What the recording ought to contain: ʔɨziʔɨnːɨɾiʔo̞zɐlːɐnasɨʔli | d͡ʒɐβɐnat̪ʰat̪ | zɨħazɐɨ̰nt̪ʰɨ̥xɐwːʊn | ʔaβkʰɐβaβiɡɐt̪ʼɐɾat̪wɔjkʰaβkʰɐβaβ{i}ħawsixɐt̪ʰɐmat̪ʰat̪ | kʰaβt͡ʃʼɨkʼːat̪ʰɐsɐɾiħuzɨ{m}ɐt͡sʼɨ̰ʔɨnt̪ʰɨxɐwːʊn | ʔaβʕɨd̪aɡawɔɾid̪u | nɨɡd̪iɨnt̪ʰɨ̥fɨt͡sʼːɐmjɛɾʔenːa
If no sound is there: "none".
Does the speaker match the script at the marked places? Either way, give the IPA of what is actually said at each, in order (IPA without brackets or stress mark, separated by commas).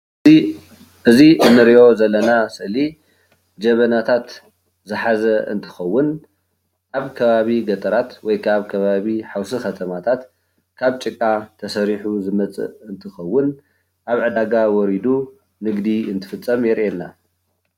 i, m